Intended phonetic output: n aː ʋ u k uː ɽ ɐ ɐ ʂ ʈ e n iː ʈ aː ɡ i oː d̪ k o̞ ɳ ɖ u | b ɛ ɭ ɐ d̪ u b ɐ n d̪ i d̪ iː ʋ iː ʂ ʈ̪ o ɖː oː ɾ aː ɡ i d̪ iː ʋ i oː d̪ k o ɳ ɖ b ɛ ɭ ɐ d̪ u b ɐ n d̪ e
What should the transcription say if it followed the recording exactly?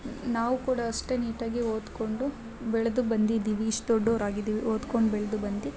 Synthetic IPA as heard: n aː ʋ u k uː ɽ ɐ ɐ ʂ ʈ e n iː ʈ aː ɡ i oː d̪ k o̞ ɳ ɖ u | b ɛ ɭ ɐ d̪ u b ɐ n d̪ i d̪ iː ʋ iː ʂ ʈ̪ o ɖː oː ɾ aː ɡ i d̪ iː ʋ i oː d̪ k o ɳ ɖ b ɛ ɭ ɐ d̪ u b ɐ n d̪ i